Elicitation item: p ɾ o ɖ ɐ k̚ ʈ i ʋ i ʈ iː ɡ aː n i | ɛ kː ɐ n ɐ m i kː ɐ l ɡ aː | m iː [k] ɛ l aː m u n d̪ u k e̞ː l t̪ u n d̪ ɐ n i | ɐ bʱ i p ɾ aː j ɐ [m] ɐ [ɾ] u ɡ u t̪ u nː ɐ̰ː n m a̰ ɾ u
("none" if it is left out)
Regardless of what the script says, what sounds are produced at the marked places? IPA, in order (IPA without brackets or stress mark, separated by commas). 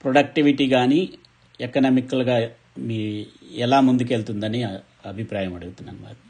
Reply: none, m, ɽ